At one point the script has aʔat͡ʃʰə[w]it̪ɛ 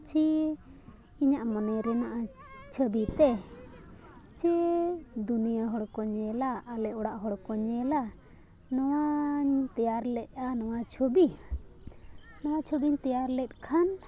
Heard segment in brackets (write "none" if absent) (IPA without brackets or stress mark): b